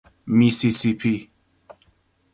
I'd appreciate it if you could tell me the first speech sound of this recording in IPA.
m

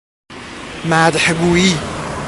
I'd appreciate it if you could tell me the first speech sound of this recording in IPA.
m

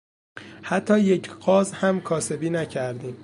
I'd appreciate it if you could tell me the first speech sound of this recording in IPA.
h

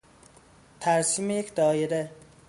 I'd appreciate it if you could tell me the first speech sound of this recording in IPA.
t̪ʰ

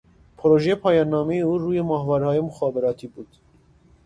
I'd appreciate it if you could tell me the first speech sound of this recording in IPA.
pʰ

